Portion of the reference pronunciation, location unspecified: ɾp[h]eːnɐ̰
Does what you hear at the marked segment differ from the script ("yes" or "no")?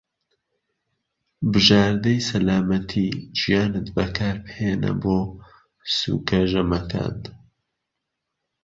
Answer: no